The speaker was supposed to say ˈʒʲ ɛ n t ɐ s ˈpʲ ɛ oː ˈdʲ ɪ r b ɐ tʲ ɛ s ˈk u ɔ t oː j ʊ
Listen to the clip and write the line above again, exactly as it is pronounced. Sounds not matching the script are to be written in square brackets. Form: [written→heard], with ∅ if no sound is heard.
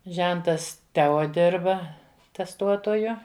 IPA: ˈʒʲ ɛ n t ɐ s [ˈpʲ→ˈtʲ] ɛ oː ˈdʲ ɪ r b ɐ tʲ ɛ s [ˈk→ˈt] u ɔ t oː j ʊ

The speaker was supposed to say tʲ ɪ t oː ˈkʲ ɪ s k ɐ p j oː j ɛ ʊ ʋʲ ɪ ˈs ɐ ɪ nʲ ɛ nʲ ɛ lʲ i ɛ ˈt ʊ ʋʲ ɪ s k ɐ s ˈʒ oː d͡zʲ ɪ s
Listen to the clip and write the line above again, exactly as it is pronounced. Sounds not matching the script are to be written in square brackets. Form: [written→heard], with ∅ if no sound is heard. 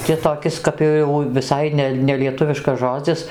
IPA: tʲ ɪ t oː ˈkʲ ɪ s k ɐ p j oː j ɛ ʊ ʋʲ ɪ ˈs ɐ ɪ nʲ ɛ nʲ ɛ lʲ i ɛ ˈt ʊ ʋʲ ɪ [s→ʃ] k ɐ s ˈʒ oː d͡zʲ ɪ s

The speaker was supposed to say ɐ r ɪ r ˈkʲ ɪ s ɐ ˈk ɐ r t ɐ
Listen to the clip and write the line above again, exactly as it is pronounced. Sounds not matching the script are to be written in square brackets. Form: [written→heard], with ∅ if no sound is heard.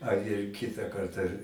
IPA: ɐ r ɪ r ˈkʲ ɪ [s→t] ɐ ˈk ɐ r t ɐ

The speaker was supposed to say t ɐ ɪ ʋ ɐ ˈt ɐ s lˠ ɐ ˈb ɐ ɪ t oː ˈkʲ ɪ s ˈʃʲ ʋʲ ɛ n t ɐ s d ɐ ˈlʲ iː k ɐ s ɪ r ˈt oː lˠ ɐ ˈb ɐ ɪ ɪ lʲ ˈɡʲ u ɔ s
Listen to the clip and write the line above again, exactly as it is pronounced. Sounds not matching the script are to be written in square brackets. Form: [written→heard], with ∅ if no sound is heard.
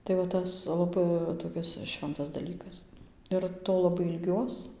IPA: t ɐ ɪ ʋ ɐ ˈt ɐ s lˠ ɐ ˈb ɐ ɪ t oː ˈkʲ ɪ s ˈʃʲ ʋʲ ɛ n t ɐ s d ɐ ˈlʲ iː k ɐ s ɪ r ˈt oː lˠ ɐ ˈb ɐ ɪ ɪ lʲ ˈɡʲ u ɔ s

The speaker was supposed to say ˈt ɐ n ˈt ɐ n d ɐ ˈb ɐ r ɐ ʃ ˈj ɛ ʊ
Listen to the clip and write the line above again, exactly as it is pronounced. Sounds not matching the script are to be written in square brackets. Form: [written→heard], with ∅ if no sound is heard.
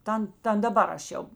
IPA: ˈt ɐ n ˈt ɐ n d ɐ ˈb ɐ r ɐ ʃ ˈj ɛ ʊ

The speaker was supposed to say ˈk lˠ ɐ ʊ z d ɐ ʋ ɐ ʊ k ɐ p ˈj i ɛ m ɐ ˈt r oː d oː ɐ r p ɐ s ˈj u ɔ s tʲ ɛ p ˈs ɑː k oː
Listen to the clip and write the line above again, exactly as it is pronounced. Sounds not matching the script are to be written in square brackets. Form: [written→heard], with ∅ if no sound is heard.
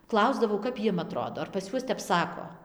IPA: ˈk lˠ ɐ ʊ z d ɐ ʋ ɐ ʊ k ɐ p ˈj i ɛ m ɐ ˈt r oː d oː ɐ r p ɐ s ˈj u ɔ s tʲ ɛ p ˈs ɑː k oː

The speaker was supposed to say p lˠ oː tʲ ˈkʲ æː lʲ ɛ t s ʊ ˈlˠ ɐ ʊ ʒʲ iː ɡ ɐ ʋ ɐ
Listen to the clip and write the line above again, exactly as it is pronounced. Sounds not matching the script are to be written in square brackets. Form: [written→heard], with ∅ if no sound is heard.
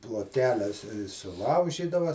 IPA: p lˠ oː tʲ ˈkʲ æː lʲ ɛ [t→s] s ʊ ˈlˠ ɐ ʊ ʒʲ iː [ɡ→d] ɐ ʋ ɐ

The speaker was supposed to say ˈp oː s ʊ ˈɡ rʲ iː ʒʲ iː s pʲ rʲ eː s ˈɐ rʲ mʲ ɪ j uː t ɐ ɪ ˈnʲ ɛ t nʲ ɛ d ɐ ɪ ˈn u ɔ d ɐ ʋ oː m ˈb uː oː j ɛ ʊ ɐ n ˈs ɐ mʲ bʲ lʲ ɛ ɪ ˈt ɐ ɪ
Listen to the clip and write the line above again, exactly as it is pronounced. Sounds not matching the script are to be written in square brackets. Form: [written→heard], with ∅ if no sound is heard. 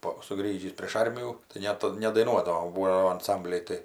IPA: ˈp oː s ʊ ˈɡ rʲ iː ʒʲ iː s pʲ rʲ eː [s→ʃ] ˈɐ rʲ mʲ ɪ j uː t ɐ ɪ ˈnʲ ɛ t nʲ ɛ d ɐ ɪ ˈn u ɔ d ɐ ʋ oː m ˈb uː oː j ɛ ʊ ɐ n ˈs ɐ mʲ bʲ lʲ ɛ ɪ ˈt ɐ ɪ

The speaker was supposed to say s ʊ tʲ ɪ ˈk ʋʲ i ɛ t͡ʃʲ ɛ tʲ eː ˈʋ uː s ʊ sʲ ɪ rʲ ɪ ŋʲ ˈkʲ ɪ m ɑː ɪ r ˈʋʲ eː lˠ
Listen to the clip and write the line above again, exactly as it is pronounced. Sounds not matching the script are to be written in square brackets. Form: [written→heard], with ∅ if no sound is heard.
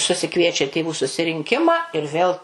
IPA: s ʊ [tʲ→sʲ] ɪ ˈk ʋʲ i ɛ t͡ʃʲ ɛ tʲ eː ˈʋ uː s ʊ sʲ ɪ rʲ ɪ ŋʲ ˈkʲ ɪ m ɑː ɪ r ˈʋʲ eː lˠ

